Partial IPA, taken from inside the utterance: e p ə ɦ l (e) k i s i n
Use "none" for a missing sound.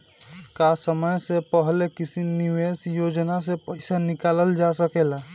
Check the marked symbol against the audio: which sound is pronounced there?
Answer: e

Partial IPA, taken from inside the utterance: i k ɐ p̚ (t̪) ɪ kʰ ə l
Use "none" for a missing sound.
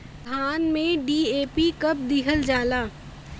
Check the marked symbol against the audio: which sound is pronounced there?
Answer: d̪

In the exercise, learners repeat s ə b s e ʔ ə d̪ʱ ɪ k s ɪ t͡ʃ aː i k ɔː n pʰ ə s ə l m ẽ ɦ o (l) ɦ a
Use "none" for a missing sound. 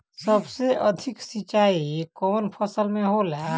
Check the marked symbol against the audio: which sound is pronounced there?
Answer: l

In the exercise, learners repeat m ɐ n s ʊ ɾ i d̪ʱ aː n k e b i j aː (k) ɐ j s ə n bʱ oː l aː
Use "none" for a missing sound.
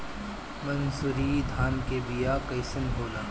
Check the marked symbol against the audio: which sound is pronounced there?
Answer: k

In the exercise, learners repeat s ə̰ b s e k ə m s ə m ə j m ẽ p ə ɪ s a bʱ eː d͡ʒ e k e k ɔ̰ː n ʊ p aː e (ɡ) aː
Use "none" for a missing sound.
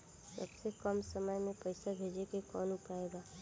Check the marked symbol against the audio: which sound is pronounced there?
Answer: ɡ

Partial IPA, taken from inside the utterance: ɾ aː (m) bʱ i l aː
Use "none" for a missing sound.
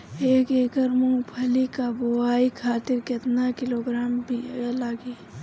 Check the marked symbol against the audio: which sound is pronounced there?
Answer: m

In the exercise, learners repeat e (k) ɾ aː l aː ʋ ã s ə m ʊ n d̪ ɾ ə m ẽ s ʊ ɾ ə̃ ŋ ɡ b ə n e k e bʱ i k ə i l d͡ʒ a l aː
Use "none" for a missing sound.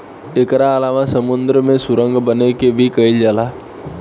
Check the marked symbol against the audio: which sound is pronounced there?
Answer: k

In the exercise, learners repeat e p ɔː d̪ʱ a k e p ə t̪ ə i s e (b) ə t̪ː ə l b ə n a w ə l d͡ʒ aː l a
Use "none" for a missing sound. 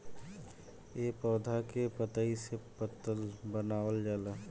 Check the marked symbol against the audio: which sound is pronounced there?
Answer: p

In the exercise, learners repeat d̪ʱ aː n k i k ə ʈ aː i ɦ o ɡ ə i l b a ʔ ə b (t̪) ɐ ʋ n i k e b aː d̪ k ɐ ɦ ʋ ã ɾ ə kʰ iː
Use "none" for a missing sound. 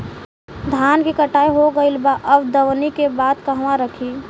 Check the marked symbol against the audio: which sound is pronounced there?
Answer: d̪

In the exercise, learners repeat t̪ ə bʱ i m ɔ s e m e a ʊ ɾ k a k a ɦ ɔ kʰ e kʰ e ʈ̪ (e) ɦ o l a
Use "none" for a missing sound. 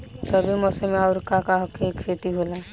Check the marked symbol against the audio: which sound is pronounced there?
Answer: i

